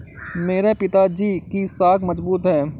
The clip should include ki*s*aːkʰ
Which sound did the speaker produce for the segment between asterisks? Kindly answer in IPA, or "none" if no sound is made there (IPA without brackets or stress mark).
s